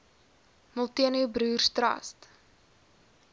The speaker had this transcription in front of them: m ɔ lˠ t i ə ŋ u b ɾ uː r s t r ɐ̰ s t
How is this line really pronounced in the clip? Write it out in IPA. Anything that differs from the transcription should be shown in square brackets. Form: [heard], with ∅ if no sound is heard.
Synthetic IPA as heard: m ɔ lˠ t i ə [n] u b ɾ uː r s t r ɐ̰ s t

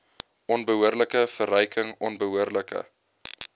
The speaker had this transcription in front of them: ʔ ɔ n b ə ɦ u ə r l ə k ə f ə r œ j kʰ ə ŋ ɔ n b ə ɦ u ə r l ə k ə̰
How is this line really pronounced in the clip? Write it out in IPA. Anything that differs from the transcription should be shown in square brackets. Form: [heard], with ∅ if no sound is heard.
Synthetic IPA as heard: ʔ ɔ n b ə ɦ u ə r l ə k ə f ə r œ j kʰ ə ŋ ɔ n b ə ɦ u ə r l ə k ə̰

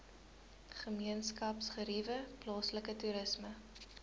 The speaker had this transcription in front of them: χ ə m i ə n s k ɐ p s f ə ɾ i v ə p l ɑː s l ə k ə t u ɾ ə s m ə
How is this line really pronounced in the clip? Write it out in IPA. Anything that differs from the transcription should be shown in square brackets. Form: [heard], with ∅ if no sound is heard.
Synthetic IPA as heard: χ ə m i ə n s k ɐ p s [χ] ə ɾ i v ə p l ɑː s l ə k ə t u ɾ ə s m ə

